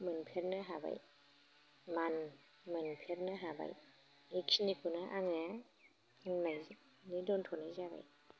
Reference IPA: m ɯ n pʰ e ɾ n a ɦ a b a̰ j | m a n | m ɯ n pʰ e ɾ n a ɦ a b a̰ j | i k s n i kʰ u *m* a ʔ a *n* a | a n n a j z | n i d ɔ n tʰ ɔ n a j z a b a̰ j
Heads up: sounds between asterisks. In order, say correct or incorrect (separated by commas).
incorrect, incorrect